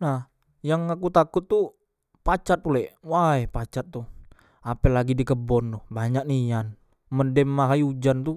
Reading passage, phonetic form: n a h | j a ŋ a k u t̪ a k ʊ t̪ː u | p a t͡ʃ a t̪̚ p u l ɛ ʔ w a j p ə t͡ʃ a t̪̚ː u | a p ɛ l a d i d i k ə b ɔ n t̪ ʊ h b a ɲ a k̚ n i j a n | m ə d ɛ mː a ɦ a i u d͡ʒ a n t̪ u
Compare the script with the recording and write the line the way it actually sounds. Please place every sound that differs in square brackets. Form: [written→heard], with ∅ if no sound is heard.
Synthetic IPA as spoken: n a h | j a ŋ a k u t̪ a k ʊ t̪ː u | p a t͡ʃ a t̪̚ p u l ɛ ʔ w a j p [ə→a] t͡ʃ a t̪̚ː u | a p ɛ l a [d→ɡ] i d i k ə b ɔ n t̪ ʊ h b a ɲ a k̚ n i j a n | m ə d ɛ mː a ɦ a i u d͡ʒ a n t̪ u